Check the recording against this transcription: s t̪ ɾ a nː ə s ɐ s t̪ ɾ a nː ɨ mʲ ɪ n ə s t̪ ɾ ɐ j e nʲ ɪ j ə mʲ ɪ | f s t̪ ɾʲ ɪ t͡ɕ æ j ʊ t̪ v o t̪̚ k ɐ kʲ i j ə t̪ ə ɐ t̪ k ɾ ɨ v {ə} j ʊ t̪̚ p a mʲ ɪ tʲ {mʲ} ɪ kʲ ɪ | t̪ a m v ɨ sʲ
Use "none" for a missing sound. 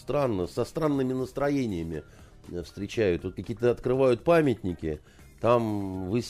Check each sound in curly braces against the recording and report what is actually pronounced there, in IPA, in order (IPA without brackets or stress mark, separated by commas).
a, nʲ